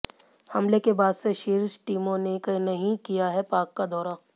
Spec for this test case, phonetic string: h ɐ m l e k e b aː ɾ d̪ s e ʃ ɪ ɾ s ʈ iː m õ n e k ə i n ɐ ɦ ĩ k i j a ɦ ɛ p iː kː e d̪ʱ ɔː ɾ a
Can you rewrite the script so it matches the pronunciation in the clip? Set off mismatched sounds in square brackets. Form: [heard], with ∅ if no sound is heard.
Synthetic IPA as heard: h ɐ m l e k e b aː [∅] d̪ s e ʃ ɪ ɾ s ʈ iː m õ n e k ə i n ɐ ɦ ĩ k i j a ɦ ɛ p [aː] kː [a] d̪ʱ ɔː ɾ a